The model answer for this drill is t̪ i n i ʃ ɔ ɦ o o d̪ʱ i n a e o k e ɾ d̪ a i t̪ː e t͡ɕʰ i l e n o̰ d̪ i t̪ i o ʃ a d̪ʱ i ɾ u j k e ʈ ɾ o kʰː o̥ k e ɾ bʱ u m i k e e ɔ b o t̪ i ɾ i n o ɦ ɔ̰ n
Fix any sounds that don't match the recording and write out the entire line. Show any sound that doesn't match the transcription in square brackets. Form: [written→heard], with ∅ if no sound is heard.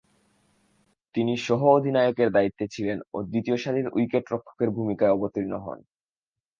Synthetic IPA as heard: t̪ i n i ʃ ɔ ɦ o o d̪ʱ i n a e o k e ɾ d̪ a i t̪ː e t͡ɕʰ i l e n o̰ d̪ i t̪ i o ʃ a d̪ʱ i ɾ u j k e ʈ ɾ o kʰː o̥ k e ɾ bʱ u m i k [e→a] e ɔ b o t̪ i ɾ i n o ɦ ɔ̰ n

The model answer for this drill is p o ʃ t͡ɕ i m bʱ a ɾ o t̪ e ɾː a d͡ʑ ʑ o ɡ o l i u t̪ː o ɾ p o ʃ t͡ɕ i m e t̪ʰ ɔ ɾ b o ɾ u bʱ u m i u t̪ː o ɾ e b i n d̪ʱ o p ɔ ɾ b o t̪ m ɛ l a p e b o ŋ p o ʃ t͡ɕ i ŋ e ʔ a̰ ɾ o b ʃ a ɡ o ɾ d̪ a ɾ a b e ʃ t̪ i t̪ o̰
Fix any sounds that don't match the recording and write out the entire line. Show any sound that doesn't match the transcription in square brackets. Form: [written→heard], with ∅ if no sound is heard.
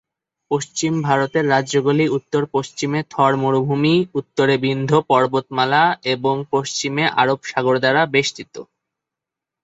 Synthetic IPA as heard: p o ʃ t͡ɕ i m bʱ a ɾ o t̪ e ɾː a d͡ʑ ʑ o ɡ o l i u t̪ː o ɾ p o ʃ t͡ɕ i m e t̪ʰ ɔ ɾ [b→m] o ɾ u bʱ u m i u t̪ː o ɾ e b i n d̪ʱ o p ɔ ɾ b o t̪ m [ɛ→a] l a [p→∅] e b o ŋ p o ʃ t͡ɕ i [ŋ→m] e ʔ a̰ ɾ o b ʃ a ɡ o ɾ d̪ a ɾ a b e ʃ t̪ i t̪ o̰

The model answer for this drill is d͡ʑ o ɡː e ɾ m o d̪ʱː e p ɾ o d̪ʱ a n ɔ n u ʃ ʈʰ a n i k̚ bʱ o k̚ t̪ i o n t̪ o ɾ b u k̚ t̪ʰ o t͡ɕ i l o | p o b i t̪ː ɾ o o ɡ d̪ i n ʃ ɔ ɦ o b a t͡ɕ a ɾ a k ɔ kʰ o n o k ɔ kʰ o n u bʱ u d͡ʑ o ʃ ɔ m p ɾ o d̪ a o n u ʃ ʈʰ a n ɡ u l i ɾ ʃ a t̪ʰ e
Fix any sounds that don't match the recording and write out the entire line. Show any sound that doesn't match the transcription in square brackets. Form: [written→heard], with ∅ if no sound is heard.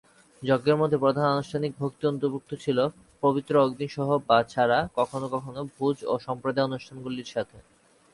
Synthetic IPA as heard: d͡ʑ o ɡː e ɾ m o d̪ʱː e p ɾ o d̪ʱ a n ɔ n u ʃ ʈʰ a n i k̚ bʱ o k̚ t̪ i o n t̪ o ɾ b u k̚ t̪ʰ o [t͡ɕ→t͡ɕʰ] i l o | p o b i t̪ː ɾ o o ɡ d̪ i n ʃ ɔ ɦ o b a [t͡ɕ→t͡ɕʰ] a ɾ a k ɔ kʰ o n o k ɔ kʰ o n [u→o] bʱ u d͡ʑ o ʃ ɔ m p ɾ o d̪ a o n u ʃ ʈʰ a n ɡ u l i ɾ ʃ a t̪ʰ e

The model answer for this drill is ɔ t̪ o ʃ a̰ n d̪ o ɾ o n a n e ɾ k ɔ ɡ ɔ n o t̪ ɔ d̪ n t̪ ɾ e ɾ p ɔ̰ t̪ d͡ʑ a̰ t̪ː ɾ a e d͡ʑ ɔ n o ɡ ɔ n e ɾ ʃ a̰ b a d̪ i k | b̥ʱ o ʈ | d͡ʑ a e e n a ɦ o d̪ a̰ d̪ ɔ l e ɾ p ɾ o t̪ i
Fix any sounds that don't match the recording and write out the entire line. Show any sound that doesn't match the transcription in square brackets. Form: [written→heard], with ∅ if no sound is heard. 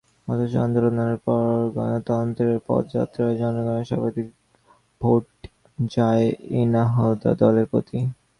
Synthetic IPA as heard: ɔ t̪ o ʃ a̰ n d̪ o ɾ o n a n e ɾ [k→p] ɔ ɡ ɔ n o t̪ ɔ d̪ n t̪ ɾ e ɾ p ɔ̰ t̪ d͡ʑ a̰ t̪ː ɾ a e d͡ʑ ɔ n o ɡ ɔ n e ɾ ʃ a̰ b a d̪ i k | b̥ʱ o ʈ | d͡ʑ a e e n a ɦ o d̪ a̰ d̪ ɔ l e ɾ p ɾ o t̪ i

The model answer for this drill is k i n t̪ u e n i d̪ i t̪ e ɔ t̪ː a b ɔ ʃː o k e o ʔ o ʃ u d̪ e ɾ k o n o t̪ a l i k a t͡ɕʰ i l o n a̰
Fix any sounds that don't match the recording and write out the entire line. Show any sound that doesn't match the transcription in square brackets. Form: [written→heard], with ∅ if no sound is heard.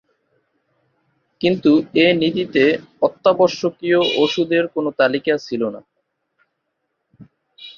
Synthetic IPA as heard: k i n t̪ u e n i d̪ i t̪ e ɔ t̪ː a b ɔ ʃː o k [e→i] o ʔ o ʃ u d̪ e ɾ k o n o t̪ a l i k a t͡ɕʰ i l o n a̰

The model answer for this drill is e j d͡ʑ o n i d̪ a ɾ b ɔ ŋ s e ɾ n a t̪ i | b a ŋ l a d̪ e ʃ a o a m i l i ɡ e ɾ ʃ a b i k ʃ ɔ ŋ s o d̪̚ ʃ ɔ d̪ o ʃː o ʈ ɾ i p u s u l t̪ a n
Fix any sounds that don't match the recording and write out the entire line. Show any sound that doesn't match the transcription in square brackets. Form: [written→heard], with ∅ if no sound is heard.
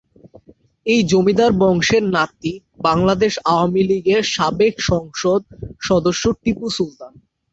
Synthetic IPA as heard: e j d͡ʑ o [n→m] i d̪ a ɾ b ɔ ŋ [s→ʃ] e ɾ n a t̪ i | b a ŋ l a d̪ e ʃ a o a m i l i ɡ e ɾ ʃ a b [i→e] k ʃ ɔ ŋ [s→ʃ] o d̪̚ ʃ ɔ d̪ o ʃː o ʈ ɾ i p u s u l t̪ a n

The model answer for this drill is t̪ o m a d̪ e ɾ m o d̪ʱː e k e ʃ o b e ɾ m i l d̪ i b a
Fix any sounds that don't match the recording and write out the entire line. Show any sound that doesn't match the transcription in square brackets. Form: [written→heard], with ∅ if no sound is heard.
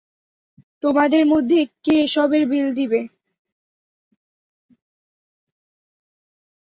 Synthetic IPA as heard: t̪ o m a d̪ e ɾ m o d̪ʱː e k e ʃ [o→ɔ] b e ɾ [m→b] i l d̪ i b [a→e]

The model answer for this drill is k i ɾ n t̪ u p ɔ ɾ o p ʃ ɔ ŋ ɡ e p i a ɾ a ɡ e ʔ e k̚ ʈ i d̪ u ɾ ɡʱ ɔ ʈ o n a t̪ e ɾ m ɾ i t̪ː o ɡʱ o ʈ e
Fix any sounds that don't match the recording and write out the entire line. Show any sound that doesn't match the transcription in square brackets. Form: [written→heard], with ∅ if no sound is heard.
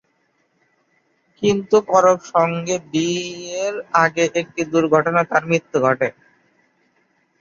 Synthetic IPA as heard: k i [ɾ→∅] n t̪ u [p→k] ɔ ɾ o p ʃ ɔ ŋ ɡ e [p→b] i [a→e] ɾ a ɡ e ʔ e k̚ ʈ i d̪ u ɾ ɡʱ ɔ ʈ o n a t̪ [e→a] ɾ m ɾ i t̪ː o ɡʱ [o→ɔ] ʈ e

